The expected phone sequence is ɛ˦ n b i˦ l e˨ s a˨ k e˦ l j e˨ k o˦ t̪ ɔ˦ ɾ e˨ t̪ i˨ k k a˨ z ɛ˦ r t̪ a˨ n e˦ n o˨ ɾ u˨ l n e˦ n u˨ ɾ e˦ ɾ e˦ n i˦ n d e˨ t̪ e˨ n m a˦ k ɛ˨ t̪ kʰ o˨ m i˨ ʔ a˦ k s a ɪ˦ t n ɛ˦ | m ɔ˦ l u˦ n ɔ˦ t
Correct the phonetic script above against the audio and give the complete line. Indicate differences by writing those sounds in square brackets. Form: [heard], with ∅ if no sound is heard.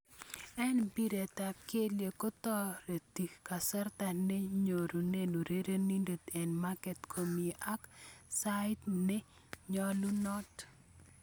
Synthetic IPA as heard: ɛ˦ n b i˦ [ɾ] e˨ [t] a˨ k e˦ l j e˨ k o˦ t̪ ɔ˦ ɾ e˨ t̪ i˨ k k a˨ [s] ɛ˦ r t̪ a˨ n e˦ [ɲ] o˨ ɾ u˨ [∅] n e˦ n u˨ ɾ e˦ ɾ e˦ n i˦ n d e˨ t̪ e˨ n m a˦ k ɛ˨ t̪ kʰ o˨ m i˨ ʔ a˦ k s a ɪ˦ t n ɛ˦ | [ɲ] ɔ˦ l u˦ n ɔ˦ t